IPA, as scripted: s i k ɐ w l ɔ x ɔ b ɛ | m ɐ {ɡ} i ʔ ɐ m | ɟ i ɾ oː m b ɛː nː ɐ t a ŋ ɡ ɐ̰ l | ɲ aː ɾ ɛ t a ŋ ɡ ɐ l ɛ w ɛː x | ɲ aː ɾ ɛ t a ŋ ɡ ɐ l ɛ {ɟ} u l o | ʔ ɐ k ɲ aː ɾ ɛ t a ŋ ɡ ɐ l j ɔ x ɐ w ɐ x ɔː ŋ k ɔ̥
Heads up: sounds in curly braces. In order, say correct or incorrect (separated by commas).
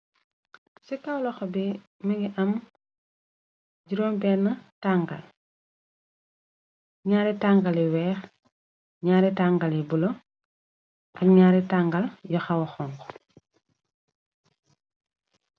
correct, incorrect